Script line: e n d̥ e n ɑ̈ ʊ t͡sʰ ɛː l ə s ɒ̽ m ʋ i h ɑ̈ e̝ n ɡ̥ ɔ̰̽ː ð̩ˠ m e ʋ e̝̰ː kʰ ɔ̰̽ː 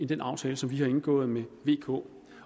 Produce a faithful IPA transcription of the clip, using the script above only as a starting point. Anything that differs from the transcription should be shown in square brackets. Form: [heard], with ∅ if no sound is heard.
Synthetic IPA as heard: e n d̥ e n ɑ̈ ʊ t͡sʰ ɛː l ə s ɒ̽ m ʋ i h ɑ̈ e̝ n ɡ̥ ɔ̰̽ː ð̩ˠ m e ʋ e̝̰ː kʰ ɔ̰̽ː